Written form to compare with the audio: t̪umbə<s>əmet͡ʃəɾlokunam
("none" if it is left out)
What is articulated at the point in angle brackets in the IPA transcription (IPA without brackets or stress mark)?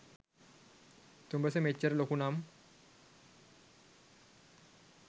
s